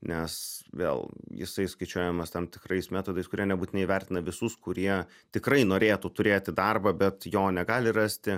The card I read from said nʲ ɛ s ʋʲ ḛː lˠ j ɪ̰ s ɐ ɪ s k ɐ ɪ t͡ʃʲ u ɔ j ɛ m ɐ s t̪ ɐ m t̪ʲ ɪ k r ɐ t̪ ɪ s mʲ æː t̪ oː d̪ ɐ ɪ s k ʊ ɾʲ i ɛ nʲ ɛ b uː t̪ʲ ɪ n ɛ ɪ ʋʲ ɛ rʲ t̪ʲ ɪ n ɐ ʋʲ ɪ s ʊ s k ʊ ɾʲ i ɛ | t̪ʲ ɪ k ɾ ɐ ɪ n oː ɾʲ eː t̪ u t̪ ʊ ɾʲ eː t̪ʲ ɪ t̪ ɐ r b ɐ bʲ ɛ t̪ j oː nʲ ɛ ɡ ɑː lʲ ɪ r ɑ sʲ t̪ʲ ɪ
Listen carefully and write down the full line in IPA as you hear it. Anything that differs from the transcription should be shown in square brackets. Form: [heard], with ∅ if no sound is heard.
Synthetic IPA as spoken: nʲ ɛ s ʋʲ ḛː lˠ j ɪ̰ s ɐ ɪ s k ɐ ɪ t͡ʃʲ u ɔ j ɛ m ɐ s t̪ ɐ m t̪ʲ ɪ k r ɐ [∅] ɪ s mʲ æː t̪ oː d̪ ɐ ɪ s k ʊ ɾʲ i ɛ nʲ ɛ b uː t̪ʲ ɪ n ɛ ɪ ʋʲ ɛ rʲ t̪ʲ ɪ n ɐ ʋʲ ɪ s ʊ s k ʊ ɾʲ i ɛ | t̪ʲ ɪ k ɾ ɐ ɪ n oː ɾʲ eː t̪ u t̪ ʊ ɾʲ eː t̪ʲ ɪ [d̪] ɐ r b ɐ bʲ ɛ t̪ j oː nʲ ɛ ɡ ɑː lʲ ɪ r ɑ sʲ t̪ʲ ɪ